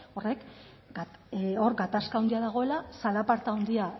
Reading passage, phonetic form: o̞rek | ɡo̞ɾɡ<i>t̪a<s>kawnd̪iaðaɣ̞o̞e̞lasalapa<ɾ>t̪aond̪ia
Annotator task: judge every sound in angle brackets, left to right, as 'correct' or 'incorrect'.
incorrect: a, correct, correct

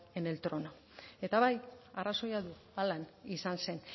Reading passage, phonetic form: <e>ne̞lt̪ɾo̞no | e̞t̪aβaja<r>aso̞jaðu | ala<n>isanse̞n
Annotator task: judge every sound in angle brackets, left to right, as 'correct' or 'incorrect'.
correct, correct, correct

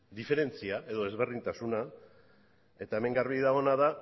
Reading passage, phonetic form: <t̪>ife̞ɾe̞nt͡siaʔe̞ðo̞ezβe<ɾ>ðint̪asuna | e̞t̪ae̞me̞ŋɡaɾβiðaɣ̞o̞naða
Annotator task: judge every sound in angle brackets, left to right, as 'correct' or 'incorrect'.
incorrect: d̪, incorrect: r

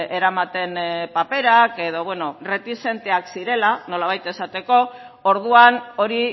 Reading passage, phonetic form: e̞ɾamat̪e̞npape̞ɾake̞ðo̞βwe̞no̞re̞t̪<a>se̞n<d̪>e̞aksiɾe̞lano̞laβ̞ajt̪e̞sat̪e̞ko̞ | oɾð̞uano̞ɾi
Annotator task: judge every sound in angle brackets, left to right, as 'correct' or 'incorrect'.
incorrect: i, incorrect: t̪

